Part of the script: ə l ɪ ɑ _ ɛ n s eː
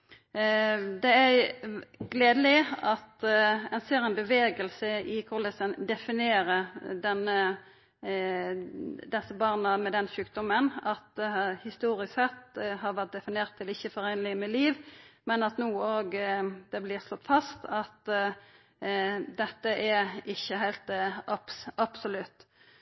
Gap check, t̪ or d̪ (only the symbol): t̪